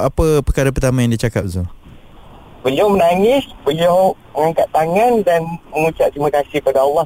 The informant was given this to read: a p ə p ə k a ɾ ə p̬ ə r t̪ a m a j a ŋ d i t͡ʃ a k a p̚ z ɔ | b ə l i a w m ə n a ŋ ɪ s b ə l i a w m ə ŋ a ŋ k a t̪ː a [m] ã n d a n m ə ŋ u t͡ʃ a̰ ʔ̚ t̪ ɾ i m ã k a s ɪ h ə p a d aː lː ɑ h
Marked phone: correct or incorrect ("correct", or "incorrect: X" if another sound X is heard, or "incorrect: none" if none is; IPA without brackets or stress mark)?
incorrect: ŋ